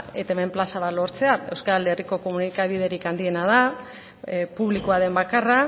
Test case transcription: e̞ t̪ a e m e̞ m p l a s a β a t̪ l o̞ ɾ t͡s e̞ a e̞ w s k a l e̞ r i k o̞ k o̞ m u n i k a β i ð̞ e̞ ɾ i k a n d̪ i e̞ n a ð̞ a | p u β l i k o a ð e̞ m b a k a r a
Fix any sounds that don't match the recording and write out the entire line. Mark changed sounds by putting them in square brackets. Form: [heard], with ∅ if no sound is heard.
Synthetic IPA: e̞ t̪ a e m e̞ m p l a s a β a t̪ l o̞ ɾ t͡s e̞ a e̞ w s k a l e̞ r i k o̞ k o̞ m u n i k a β i ð̞ e̞ ɾ i k a n d̪ i e̞ n a ð̞ a | p u β l i k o a ð e̞ m b a k a r a

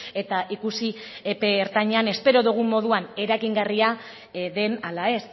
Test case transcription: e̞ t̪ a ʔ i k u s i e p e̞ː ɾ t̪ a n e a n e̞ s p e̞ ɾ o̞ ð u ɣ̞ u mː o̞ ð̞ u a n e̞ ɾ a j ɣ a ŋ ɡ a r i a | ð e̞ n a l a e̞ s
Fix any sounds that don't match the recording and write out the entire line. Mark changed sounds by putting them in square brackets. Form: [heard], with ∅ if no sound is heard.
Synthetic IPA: e̞ t̪ a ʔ i k u s i e p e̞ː ɾ t̪ a [ɲ] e a n e̞ s p e̞ ɾ o̞ ð u ɣ̞ u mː o̞ ð̞ u a n e̞ ɾ a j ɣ [i] ŋ ɡ a r i a | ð e̞ n a l a e̞ s

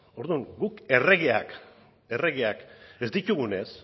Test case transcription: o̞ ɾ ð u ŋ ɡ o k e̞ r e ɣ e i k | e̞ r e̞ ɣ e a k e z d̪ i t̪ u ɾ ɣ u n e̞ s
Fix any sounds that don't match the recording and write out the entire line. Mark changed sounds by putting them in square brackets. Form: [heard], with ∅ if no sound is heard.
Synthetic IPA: o̞ ɾ ð u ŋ ɡ [u] k e̞ r e ɣ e [a] k | e̞ r e̞ ɣ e a k e z d̪ i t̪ u [∅] ɣ u n e̞ s

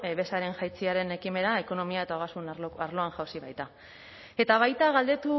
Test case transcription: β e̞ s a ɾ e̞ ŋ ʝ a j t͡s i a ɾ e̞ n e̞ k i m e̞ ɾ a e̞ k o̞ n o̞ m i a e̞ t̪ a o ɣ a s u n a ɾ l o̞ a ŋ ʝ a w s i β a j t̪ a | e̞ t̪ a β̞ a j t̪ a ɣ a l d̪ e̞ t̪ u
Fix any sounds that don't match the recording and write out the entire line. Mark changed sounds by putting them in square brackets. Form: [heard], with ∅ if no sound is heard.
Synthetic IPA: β e̞ s a ɾ e̞ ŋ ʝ a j t͡s i a ɾ e̞ n e̞ k i m e̞ ɾ a e̞ k o̞ n o̞ m i a e̞ t̪ a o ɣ a s u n a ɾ l o̞ a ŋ ʝ a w s i β a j t̪ a | e̞ t̪ a β̞ a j t̪ a ɣ a l d̪ e̞ t̪ u

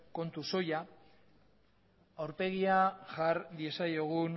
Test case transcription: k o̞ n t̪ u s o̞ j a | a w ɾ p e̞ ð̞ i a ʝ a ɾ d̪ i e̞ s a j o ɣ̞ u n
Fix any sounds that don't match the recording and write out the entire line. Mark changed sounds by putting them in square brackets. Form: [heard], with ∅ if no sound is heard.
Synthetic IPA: k o̞ n t̪ u s o̞ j a | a w ɾ p e̞ [ɣ̞] i a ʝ a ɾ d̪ i e̞ s a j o ɣ̞ u n

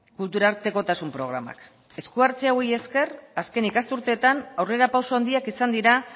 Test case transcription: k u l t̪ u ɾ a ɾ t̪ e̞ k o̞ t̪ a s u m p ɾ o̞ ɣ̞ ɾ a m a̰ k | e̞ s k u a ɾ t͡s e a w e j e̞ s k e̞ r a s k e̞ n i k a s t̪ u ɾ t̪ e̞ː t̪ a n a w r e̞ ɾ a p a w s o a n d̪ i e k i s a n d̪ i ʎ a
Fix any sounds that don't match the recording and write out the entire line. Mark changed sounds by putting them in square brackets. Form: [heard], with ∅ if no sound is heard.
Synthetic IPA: k u l t̪ u ɾ a ɾ t̪ e̞ k o̞ t̪ a s u m p ɾ o̞ ɣ̞ ɾ a m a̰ k | e̞ s k u a ɾ t͡s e a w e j e̞ s k e̞ r a s k e̞ n i k a s t̪ u ɾ t̪ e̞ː t̪ a n a w r e̞ ɾ a p a w s o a n d̪ i [a] k i s a n d̪ i [ɾ] a

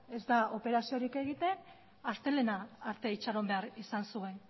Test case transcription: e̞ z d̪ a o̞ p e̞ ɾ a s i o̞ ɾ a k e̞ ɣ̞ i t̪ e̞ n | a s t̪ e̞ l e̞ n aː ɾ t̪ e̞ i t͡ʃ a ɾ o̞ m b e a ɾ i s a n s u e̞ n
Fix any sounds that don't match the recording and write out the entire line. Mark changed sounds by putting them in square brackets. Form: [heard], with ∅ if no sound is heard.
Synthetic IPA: e̞ z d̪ a o̞ p e̞ ɾ a s i o̞ ɾ [i] k e̞ ɣ̞ i t̪ e̞ n | a s t̪ e̞ l e̞ n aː ɾ t̪ e̞ i t͡ʃ a ɾ o̞ m b e a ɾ i s a n s u e̞ n

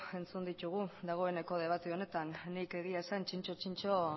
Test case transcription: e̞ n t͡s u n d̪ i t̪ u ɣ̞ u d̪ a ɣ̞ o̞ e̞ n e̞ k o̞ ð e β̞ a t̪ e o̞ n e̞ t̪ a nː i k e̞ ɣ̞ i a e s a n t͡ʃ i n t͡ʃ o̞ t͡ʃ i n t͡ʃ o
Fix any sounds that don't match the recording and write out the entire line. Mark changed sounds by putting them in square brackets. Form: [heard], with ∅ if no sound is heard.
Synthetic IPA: e̞ n t͡s u n d̪ i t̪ u ɣ̞ u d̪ a ɣ̞ o̞ e̞ n e̞ k o̞ ð e β̞ a t̪ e o̞ n e̞ t̪ a nː i k e̞ ɣ̞ i a e s a n t͡ʃ i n t͡ʃ o̞ t͡ʃ i n t͡ʃ o

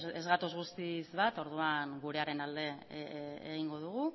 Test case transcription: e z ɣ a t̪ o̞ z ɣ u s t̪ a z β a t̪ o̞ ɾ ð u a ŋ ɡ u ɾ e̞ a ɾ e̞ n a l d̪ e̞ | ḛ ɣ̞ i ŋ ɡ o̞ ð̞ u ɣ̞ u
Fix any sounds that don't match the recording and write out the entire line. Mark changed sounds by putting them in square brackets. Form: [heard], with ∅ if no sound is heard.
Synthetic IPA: e z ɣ a t̪ o̞ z ɣ u s t̪ [i] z β a t̪ o̞ ɾ ð u a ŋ ɡ u ɾ e̞ a ɾ e̞ n a l d̪ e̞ | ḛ ɣ̞ i ŋ ɡ o̞ ð̞ u ɣ̞ u

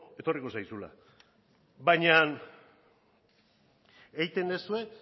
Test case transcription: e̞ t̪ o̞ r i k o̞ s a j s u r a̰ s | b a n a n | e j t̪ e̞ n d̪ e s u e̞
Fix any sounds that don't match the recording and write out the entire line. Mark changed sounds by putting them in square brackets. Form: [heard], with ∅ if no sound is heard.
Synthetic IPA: e̞ t̪ o̞ r i k o̞ s a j s u [l] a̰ [∅] | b a [ɲ] a n | e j t̪ e̞ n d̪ e s u e̞

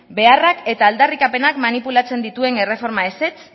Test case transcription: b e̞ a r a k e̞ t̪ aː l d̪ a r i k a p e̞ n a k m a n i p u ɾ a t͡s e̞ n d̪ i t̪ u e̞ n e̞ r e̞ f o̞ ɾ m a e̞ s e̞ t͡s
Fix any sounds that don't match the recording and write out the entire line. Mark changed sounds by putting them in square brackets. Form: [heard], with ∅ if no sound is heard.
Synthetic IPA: b e̞ a r a k e̞ t̪ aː l d̪ a r i k a p e̞ n a k m a n i p u [l] a t͡s e̞ n d̪ i t̪ u e̞ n e̞ r e̞ f o̞ ɾ m a e̞ s e̞ t͡s

